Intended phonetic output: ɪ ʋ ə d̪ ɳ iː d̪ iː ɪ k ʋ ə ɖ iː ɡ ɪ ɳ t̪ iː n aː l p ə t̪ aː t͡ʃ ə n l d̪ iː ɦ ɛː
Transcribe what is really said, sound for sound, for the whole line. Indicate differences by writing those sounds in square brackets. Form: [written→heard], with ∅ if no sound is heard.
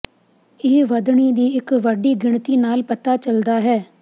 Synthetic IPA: ɪ ʋ ə d̪ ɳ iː d̪ iː ɪ k ʋ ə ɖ iː ɡ ɪ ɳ t̪ iː n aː l p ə t̪ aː t͡ʃ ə [n→∅] l d̪ [iː→aː] ɦ ɛː